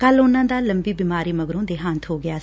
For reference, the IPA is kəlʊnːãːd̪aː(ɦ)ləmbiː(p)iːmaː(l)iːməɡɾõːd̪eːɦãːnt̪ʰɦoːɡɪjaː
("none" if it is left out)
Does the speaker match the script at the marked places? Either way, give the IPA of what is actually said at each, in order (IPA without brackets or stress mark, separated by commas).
none, b, ɾ